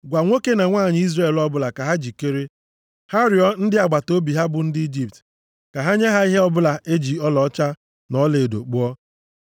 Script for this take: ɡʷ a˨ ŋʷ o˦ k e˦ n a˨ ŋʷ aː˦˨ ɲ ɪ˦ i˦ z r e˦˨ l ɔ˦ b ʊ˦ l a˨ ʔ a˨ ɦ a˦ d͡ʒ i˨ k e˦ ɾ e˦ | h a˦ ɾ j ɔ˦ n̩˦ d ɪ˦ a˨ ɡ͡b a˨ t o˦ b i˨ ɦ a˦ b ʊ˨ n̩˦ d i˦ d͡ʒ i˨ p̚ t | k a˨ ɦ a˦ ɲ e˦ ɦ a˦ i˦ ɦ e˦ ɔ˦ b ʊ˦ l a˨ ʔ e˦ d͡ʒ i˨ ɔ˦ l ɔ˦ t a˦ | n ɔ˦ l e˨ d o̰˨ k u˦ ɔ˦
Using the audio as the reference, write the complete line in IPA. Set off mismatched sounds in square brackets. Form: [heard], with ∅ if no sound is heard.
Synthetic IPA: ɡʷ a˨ ŋʷ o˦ k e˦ n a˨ ŋʷ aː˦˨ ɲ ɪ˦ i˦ z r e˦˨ l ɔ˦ b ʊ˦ l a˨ [k] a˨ ɦ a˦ d͡ʒ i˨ k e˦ ɾ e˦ | h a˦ ɾ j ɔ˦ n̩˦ d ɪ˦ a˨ ɡ͡b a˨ t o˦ b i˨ ɦ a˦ b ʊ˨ n̩˦ d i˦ d͡ʒ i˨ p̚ t | k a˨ ɦ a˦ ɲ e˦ ɦ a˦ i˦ ɦ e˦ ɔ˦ b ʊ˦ l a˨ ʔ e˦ d͡ʒ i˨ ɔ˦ l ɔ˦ [t͡ʃ] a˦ | n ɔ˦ l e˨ d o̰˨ [k͡p] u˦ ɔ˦